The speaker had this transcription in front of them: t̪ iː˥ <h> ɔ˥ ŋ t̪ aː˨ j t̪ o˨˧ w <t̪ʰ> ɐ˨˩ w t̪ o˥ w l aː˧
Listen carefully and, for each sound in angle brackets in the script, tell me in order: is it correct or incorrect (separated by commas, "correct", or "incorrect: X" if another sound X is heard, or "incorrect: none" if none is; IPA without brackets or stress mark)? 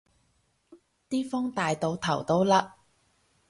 incorrect: f, correct